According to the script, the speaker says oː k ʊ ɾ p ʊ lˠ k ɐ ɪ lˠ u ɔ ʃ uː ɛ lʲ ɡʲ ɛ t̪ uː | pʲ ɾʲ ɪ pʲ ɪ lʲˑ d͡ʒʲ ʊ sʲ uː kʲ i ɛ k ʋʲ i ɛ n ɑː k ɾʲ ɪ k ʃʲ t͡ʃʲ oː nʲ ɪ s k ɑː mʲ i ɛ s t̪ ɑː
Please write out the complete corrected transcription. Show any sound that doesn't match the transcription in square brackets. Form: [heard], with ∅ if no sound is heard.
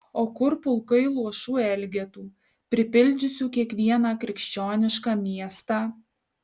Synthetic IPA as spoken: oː k ʊ ɾ p ʊ lˠ k ɐ ɪ lˠ u ɔ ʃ uː ɛ lʲ ɡʲ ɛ t̪ uː | pʲ ɾʲ ɪ pʲ ɪ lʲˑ d͡ʒʲ ʊ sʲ uː kʲ i ɛ k ʋʲ i ɛ n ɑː k ɾʲ ɪ k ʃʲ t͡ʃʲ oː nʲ ɪ [ʃ] k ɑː mʲ i ɛ s t̪ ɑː

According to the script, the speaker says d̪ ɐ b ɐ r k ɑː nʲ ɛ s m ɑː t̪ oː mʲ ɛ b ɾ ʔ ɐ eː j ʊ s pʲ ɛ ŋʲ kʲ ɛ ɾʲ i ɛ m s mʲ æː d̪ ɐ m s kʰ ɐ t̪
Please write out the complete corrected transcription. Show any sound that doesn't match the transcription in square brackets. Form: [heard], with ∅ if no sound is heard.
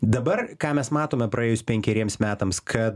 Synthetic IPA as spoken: d̪ ɐ b ɐ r k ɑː [mʲ] ɛ s m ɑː t̪ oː mʲ ɛ [p] ɾ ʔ ɐ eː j ʊ s pʲ ɛ ŋʲ kʲ ɛ ɾʲ i ɛ m s mʲ æː [t̪] ɐ m s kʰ ɐ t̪

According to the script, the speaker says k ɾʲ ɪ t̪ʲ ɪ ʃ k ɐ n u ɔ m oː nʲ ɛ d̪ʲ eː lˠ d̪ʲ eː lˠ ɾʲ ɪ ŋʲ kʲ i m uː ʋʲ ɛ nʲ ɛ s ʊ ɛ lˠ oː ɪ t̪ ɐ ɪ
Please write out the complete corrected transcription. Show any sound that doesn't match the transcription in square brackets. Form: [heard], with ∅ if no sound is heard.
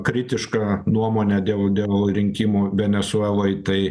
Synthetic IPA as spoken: k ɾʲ ɪ t̪ʲ ɪ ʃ k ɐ n u ɔ m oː nʲ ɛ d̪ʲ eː lˠ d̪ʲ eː lˠ ɾʲ ɪ ŋʲ kʲ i m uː ʋʲ ɛ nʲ ɛ s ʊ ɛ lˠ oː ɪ t̪ ɐ ɪ

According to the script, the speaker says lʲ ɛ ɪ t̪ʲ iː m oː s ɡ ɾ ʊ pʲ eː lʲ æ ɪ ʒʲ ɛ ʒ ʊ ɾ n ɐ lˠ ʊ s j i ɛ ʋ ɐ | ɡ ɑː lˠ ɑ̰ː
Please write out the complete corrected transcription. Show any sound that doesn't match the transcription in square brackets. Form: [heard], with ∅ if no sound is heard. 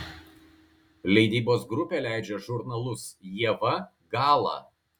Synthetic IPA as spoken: lʲ ɛ ɪ [d̪ʲ] iː [b] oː s ɡ ɾ ʊ pʲ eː lʲ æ ɪ [d͡ʒʲ] ɛ ʒ ʊ ɾ n ɐ lˠ ʊ s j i ɛ ʋ ɐ | ɡ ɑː lˠ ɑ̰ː

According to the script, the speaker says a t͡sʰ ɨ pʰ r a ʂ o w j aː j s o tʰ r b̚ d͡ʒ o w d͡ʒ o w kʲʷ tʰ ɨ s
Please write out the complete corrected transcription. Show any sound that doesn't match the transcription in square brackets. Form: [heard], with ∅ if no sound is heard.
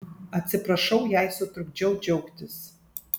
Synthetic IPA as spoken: a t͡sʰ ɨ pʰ r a ʂ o w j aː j s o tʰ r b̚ d͡ʒ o w d͡ʒ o w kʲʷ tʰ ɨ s

